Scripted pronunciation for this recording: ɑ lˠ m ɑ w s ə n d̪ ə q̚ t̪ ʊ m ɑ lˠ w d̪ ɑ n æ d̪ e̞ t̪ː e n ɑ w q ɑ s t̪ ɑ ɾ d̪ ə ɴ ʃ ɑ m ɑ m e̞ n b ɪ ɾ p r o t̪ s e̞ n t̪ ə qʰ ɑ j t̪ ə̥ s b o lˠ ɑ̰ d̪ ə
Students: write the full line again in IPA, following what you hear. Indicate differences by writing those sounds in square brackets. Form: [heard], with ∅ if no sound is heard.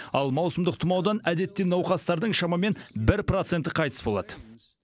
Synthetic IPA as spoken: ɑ lˠ m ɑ w s ə [m] d̪ ə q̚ [t̪ʰ] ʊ m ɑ [∅] w d̪ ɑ n æ d̪ e̞ t̪ː e n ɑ w q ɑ s t̪ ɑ ɾ d̪ ə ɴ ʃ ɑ m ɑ m e̞ n b ɪ ɾ p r o t̪ s e̞ n t̪ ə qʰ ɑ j t̪ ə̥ s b o lˠ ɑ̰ d̪ ə